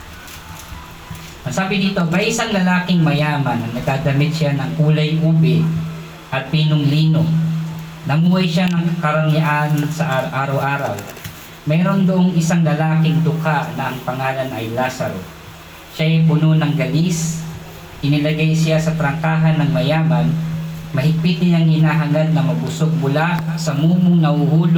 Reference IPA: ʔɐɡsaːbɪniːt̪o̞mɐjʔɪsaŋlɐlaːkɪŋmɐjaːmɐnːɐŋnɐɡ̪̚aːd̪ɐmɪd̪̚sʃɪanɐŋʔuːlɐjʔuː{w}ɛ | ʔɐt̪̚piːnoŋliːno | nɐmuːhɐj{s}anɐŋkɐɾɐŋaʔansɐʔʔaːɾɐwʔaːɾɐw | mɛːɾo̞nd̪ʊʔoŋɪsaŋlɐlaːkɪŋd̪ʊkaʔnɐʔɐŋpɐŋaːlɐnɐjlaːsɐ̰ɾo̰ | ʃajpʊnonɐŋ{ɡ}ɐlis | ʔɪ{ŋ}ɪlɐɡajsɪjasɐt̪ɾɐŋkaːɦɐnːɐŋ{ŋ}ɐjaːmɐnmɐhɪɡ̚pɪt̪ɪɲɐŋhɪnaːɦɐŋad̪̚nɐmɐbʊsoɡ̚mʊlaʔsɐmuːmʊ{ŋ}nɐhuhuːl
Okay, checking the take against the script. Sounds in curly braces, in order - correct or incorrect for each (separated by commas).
incorrect, incorrect, correct, incorrect, incorrect, correct